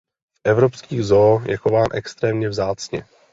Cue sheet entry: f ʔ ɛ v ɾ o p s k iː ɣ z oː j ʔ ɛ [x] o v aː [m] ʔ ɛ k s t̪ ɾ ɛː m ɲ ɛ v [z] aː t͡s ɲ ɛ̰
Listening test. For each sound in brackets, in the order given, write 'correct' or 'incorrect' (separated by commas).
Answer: correct, incorrect, correct